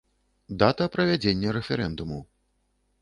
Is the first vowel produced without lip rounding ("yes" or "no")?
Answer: yes